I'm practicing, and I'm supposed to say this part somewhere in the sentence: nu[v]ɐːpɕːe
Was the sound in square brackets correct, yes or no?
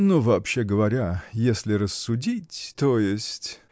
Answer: yes